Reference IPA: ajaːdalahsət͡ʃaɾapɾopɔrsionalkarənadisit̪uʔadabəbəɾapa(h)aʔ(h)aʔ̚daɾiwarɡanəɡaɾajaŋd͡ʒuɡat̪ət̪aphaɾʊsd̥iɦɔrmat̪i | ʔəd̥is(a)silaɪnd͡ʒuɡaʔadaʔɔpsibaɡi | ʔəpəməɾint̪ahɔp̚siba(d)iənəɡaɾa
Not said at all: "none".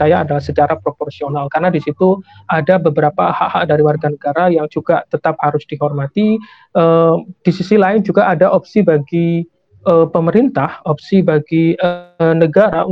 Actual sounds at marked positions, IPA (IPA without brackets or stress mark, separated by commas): h, h, i, ɡ